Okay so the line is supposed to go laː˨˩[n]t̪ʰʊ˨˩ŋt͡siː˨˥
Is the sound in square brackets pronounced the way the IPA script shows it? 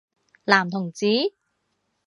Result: no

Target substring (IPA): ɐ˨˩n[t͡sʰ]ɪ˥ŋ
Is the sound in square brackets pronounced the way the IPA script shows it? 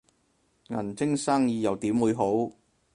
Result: no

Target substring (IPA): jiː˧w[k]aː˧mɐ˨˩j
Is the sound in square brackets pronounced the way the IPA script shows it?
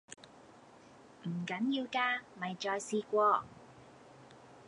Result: yes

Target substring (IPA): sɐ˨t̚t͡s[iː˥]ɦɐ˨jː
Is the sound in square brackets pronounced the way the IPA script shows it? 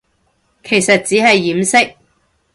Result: no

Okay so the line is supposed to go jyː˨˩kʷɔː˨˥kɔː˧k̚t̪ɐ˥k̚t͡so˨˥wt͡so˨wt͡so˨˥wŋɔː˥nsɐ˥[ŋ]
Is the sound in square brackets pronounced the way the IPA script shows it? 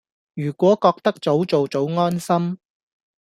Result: no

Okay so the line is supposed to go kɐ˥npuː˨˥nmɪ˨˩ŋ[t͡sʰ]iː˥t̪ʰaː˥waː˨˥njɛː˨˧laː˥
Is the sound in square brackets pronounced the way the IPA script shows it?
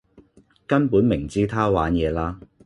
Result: no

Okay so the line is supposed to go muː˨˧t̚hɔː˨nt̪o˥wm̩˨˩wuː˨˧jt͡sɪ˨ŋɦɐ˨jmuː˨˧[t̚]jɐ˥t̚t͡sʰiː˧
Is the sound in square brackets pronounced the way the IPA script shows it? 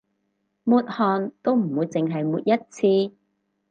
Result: yes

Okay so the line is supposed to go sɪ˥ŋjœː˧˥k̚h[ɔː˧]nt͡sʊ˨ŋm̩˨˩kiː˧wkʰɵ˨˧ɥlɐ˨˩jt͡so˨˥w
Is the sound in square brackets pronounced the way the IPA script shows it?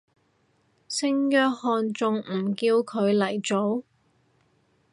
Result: yes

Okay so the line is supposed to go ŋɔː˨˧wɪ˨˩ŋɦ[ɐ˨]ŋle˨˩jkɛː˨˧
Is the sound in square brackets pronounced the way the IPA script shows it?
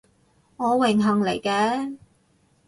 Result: yes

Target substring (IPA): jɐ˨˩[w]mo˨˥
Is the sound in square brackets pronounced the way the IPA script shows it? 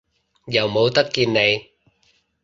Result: yes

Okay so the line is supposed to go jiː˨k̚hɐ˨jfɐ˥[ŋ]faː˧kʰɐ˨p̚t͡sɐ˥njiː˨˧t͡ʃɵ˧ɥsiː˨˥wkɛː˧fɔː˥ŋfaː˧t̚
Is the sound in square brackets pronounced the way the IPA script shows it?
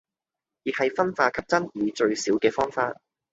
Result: no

